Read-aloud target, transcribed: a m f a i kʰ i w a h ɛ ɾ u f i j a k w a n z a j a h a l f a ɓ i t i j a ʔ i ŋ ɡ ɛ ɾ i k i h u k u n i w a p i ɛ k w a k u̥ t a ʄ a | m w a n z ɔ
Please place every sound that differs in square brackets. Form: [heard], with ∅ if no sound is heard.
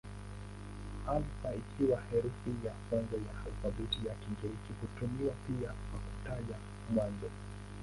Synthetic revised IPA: a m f a i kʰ i w a h ɛ ɾ u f i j a k w a n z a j a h a l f a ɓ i t i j a [k] i ŋ ɡ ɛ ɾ i k i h u [t] u [m] i w a p i [a] k w a k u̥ t a ʄ a | m w a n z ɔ